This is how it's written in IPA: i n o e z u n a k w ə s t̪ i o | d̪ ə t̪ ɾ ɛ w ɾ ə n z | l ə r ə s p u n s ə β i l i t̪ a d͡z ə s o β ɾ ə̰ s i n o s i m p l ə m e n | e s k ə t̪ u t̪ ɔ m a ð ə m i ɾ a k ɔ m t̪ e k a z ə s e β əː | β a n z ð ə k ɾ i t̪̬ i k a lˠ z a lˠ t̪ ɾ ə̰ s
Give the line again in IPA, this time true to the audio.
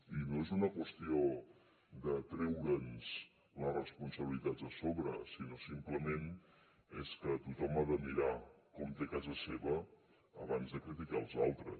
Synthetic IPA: i n o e z u n ə k w ə s t̪ i o | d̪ ə t̪ ɾ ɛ w ɾ ə n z | l ə r ə s p u n s ə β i l i t̪ a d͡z ə s o β ɾ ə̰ s i n o s i m p l ə m e n | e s k ə t̪ u t̪ ɔ m a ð ə m i ɾ a k ɔ m t̪ e k a z ə s e β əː | β a n z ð ə k ɾ i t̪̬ i k a lˠ z a lˠ t̪ ɾ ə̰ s